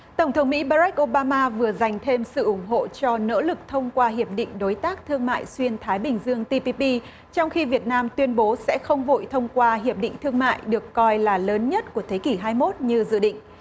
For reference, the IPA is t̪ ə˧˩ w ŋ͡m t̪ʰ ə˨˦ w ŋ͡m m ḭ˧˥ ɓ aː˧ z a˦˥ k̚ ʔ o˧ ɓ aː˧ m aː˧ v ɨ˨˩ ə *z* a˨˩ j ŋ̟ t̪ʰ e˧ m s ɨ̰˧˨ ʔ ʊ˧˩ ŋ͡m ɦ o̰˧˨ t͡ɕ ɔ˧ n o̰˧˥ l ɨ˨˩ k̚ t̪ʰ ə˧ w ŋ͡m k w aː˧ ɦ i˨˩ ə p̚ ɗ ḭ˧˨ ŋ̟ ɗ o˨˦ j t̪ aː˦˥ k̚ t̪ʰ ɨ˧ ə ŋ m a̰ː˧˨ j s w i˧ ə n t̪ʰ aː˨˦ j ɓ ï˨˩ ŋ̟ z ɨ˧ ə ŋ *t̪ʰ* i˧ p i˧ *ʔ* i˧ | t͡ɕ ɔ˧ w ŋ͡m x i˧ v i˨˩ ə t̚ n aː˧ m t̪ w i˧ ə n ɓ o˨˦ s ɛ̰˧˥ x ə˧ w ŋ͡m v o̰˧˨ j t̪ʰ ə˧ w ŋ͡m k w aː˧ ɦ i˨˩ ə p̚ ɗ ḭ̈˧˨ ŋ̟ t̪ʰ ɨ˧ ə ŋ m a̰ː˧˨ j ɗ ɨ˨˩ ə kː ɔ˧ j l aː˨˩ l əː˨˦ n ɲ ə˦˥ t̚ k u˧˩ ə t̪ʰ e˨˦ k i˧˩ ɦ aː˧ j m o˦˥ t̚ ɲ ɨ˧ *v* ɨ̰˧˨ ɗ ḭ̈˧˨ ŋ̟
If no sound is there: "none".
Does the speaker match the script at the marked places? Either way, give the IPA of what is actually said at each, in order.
z, t̪, p, z

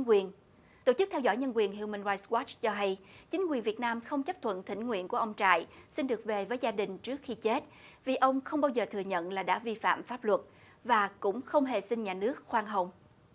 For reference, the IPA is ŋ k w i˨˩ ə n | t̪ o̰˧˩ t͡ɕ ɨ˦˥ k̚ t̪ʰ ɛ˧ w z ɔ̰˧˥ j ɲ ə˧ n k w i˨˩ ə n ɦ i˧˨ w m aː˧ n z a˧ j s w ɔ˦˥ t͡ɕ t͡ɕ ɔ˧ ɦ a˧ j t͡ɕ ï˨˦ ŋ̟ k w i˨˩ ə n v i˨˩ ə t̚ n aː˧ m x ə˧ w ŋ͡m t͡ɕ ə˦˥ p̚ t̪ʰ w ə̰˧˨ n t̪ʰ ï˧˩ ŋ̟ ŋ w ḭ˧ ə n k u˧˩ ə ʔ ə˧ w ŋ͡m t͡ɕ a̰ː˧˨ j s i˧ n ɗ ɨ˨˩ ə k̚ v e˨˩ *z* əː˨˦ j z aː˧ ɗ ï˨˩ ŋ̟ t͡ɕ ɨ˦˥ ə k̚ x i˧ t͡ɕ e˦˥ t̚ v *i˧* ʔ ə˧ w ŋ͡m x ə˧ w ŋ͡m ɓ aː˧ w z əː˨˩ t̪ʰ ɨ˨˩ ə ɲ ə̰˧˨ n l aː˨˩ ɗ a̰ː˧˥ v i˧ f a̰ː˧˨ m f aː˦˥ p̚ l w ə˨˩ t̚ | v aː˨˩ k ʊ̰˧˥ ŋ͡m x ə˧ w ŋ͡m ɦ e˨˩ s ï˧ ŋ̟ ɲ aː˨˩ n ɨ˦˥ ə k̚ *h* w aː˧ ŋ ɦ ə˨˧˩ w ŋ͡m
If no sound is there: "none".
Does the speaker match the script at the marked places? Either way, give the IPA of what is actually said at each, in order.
v, i˨˩, x

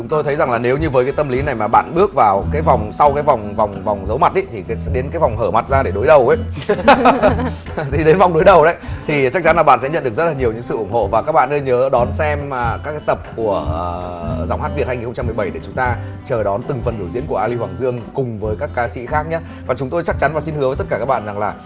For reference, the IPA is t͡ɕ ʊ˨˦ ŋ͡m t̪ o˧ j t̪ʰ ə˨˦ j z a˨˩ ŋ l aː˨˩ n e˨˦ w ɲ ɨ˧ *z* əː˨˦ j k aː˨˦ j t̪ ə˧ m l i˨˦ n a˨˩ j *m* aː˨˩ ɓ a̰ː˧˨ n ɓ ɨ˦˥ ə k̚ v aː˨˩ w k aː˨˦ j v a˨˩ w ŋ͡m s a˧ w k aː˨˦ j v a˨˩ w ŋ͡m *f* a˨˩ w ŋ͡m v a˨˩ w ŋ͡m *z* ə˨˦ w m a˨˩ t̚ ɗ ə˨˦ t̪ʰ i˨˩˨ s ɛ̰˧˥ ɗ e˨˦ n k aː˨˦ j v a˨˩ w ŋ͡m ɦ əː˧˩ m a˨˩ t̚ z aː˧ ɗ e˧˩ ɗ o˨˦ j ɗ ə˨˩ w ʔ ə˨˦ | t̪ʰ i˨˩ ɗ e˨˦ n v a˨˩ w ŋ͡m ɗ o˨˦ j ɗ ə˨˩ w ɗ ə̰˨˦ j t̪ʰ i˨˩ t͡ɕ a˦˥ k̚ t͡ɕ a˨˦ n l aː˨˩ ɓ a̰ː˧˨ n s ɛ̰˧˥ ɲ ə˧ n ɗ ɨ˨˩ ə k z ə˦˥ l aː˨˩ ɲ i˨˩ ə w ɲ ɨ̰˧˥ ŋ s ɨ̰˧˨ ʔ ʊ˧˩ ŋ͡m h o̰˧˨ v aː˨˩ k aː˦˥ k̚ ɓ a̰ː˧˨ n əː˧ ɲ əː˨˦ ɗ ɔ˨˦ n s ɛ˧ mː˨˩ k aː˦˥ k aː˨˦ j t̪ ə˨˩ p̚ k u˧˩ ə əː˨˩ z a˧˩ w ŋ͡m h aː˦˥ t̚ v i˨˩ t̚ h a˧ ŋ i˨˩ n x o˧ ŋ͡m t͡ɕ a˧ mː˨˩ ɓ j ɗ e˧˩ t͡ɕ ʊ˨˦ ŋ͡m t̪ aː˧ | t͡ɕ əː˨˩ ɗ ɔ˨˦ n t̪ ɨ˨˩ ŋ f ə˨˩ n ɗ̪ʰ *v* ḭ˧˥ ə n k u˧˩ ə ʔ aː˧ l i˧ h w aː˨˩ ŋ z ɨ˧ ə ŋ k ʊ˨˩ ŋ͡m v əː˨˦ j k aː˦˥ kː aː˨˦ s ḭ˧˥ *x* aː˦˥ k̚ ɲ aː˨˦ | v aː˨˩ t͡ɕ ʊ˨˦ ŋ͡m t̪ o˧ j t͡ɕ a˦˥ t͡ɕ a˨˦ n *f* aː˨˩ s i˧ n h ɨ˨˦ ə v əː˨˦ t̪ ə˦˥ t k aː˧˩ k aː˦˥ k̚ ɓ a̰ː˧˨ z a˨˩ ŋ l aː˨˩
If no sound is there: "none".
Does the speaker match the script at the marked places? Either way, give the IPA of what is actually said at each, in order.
v, m, v, z, z, x, v

